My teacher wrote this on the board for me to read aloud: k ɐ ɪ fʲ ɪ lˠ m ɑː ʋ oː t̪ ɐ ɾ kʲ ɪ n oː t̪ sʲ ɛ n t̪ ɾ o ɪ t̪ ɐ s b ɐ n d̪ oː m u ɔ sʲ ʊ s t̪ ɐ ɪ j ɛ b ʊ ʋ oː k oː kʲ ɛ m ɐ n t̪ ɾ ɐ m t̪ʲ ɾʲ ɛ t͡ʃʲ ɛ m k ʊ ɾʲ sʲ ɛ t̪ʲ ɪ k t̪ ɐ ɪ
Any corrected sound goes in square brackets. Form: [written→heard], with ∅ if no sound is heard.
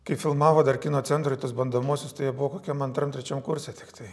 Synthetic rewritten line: k ɐ ɪ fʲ ɪ lˠ m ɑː ʋ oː [t̪→d̪] ɐ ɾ kʲ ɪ n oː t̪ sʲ ɛ n t̪ ɾ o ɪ t̪ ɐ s b ɐ n d̪ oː m u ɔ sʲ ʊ s t̪ ɐ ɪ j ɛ b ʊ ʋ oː k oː kʲ ɛ m ɐ n t̪ ɾ ɐ m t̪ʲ ɾʲ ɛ t͡ʃʲ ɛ m k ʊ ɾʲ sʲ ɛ t̪ʲ ɪ k t̪ ɐ ɪ